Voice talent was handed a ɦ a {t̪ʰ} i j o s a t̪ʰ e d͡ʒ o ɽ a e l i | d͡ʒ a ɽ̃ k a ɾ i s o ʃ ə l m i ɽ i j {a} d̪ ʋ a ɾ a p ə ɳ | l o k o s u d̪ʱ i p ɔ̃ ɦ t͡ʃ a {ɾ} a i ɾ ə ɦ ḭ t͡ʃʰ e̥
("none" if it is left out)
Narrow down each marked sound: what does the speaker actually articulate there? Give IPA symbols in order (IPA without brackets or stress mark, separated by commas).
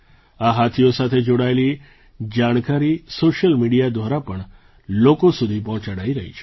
t̪ʰ, a, ɽ